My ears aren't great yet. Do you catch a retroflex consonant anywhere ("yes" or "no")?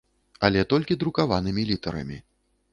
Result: no